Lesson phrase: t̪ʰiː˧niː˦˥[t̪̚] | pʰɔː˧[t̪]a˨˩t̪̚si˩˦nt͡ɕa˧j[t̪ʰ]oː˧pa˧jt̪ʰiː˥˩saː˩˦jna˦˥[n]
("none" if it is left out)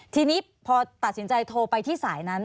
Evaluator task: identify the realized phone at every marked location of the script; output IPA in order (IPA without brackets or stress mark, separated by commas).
none, t̪, t̪ʰ, n